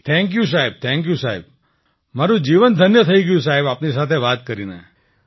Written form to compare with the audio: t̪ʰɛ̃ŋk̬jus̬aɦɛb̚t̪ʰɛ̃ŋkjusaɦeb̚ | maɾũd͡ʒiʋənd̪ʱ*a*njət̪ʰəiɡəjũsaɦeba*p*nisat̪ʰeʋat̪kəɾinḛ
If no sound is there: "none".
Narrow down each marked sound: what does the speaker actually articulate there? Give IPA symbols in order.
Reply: ə, p

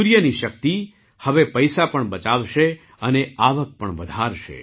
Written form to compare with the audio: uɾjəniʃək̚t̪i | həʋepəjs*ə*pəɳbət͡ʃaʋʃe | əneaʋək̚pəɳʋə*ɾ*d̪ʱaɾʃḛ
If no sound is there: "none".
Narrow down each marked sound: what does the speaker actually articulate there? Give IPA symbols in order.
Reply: a, none

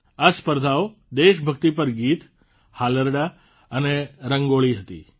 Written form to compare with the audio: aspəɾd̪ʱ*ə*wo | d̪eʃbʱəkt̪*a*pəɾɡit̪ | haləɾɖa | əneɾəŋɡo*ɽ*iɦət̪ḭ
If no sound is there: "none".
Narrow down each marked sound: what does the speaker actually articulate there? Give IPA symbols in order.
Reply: a, i, ɭ

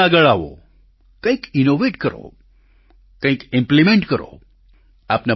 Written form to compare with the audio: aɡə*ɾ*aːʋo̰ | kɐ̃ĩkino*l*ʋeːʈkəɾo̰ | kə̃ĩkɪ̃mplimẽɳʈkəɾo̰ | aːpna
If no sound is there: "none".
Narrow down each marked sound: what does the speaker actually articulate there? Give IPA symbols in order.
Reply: ɭ, none

